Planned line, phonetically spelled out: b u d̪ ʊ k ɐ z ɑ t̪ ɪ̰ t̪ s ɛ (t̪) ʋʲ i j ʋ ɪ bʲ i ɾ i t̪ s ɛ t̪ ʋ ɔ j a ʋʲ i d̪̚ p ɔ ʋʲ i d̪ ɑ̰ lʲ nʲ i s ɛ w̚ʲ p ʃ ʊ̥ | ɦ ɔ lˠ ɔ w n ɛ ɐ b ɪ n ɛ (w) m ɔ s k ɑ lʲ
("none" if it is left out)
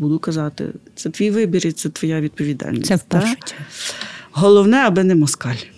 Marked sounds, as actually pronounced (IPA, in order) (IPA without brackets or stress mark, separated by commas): t̪, none